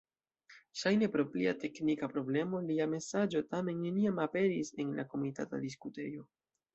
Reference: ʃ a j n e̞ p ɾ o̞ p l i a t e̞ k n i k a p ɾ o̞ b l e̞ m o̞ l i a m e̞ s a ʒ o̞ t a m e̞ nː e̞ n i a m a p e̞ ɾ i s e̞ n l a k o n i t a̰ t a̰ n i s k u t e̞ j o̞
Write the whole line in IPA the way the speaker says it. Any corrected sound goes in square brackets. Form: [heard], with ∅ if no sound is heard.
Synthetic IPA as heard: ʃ a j n e̞ p ɾ o̞ p l i a t e̞ k n i k a p ɾ o̞ b l e̞ m o̞ l i a m e̞ s a [d͡ʒ] o̞ t a m e̞ nː e̞ n i a m a p e̞ ɾ i s e̞ n l a k o [m] i t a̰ t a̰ [d] i s k u t e̞ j o̞